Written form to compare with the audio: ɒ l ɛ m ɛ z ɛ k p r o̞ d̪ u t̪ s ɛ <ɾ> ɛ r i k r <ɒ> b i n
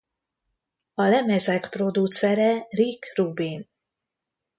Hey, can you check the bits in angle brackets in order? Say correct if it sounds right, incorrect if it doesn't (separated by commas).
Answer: correct, incorrect